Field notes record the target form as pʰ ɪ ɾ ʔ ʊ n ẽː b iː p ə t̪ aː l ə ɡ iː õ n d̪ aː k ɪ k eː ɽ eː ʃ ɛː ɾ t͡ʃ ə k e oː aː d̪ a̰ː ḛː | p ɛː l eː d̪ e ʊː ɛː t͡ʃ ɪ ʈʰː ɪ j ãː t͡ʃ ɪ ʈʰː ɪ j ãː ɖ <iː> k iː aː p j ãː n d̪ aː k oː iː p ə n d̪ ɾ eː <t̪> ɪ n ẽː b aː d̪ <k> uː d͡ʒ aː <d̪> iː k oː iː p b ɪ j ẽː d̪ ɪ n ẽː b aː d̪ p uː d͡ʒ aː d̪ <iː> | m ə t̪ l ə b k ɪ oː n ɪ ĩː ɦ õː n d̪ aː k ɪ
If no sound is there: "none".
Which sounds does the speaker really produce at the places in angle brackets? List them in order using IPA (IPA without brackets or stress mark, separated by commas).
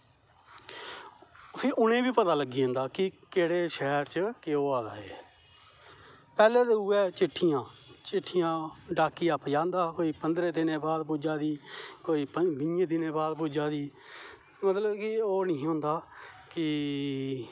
aː, d̪, p, d̪, iː